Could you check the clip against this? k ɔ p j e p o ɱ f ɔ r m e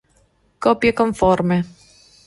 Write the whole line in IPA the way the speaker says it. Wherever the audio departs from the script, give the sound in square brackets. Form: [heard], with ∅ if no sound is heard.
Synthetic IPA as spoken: k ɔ p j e [k] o ɱ f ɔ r m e